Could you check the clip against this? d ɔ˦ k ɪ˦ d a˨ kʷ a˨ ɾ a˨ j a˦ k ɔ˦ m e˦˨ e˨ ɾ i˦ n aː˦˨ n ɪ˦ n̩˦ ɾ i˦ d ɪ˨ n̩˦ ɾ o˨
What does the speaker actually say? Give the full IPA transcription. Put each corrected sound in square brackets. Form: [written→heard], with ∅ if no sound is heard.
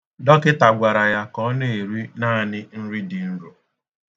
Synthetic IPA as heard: d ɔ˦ k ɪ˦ [d→t] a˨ [kʷ→ɡʷ] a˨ ɾ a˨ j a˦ k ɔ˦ [m→n] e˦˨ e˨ ɾ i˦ n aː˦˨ n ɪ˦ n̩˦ ɾ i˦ d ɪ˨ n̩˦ ɾ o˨